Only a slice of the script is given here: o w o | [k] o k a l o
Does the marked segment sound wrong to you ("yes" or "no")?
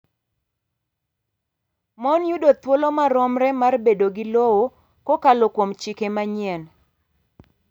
no